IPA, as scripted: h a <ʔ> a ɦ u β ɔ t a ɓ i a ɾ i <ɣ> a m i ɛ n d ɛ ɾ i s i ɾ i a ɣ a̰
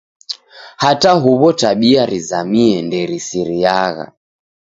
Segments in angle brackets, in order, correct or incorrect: incorrect, incorrect

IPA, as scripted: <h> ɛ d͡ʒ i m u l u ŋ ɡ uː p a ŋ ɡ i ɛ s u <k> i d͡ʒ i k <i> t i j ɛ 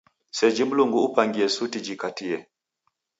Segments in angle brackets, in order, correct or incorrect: incorrect, incorrect, incorrect

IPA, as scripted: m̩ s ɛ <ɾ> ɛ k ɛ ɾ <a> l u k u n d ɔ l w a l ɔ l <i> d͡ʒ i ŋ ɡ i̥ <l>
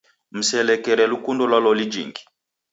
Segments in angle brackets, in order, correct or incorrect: incorrect, incorrect, correct, incorrect

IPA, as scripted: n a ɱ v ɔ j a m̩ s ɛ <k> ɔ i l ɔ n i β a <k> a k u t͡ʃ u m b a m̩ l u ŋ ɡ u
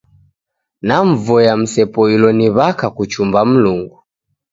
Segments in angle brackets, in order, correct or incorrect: incorrect, correct

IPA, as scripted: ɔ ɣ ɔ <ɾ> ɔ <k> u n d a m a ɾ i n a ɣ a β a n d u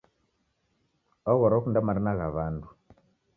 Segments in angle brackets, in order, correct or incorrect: correct, correct

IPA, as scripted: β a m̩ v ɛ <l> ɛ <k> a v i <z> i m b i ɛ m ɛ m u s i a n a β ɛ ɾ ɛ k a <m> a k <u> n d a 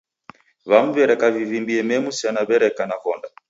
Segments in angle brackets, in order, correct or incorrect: incorrect, correct, incorrect, incorrect, incorrect

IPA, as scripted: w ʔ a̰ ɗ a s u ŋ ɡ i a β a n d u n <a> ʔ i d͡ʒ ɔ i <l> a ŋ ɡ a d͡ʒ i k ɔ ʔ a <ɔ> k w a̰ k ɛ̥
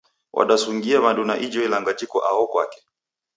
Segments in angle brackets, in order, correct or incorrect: correct, correct, correct

